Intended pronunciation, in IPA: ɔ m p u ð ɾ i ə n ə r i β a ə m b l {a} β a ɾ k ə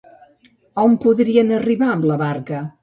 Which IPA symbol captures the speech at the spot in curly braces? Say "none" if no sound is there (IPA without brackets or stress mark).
ə